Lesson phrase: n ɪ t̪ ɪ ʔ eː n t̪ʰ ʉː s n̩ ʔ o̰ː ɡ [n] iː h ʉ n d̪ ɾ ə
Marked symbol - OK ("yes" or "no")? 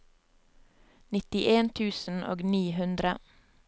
yes